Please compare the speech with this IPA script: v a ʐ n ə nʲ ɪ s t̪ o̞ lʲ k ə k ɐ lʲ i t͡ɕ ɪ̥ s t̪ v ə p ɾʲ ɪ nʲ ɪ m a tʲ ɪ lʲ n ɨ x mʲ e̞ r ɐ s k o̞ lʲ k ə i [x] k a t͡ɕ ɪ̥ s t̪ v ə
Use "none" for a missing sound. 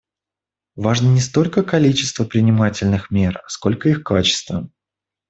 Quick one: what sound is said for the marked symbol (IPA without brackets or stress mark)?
x